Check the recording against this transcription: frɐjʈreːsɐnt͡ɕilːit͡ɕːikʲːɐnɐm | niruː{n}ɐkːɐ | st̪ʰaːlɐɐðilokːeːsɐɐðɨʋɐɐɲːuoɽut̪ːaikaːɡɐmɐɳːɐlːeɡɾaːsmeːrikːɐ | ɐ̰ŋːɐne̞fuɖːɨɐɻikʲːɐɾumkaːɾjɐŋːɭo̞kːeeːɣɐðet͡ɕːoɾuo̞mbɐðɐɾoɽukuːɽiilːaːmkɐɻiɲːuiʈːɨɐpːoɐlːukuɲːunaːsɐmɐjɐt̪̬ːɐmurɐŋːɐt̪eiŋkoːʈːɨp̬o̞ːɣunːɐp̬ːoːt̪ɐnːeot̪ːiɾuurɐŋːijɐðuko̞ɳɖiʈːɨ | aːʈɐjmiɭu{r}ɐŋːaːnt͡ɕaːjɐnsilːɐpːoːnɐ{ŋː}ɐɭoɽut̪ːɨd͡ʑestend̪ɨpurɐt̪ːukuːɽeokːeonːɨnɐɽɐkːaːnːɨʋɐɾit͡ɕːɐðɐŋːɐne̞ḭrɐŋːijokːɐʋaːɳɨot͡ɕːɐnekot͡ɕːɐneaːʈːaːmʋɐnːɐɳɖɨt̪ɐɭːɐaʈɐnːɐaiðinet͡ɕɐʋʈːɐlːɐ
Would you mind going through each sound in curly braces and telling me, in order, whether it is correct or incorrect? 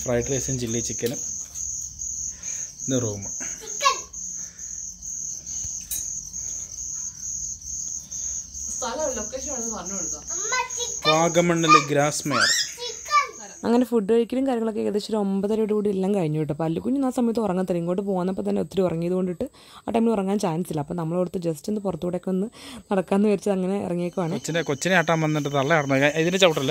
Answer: incorrect, correct, incorrect

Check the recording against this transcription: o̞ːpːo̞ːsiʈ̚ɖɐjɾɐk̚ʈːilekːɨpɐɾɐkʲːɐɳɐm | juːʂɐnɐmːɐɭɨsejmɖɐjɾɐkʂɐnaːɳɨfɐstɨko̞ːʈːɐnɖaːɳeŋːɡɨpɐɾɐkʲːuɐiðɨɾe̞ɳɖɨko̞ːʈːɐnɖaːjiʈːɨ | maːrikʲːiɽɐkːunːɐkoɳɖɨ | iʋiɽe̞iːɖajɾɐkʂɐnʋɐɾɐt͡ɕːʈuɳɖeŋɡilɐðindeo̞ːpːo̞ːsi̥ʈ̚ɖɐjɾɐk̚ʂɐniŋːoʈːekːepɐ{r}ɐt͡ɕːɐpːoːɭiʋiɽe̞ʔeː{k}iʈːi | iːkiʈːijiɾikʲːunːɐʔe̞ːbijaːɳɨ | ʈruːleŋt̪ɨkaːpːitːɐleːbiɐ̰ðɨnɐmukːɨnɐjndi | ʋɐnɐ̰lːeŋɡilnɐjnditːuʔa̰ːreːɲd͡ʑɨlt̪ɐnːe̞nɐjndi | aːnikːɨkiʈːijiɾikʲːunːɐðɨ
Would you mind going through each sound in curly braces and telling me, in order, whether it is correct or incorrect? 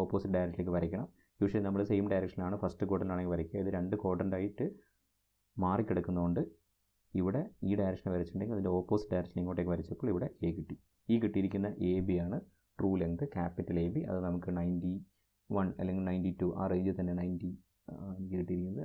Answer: incorrect, correct

